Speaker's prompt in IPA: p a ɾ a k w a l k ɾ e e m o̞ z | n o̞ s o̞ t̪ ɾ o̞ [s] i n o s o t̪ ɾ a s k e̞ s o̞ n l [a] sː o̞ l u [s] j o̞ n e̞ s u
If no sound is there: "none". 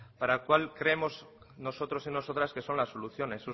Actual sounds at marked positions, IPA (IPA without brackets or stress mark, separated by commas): s, a, θ